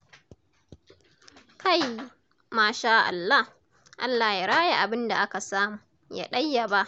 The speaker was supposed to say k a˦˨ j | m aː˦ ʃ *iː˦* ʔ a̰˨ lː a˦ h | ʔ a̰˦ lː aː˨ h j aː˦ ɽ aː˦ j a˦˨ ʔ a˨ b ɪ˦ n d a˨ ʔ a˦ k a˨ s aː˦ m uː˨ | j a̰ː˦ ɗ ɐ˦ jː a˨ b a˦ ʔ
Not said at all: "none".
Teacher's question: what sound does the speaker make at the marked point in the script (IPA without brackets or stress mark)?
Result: aː˦